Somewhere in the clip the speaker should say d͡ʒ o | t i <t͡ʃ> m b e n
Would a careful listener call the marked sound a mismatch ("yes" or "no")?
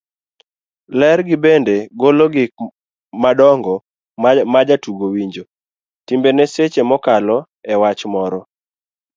yes